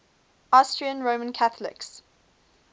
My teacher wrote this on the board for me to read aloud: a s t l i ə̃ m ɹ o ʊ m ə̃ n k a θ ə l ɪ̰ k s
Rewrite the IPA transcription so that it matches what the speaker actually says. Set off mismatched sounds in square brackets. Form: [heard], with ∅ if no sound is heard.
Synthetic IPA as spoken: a s t [ɹ] i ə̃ [n] ɹ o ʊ m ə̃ n [kʰ] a θ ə l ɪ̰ k s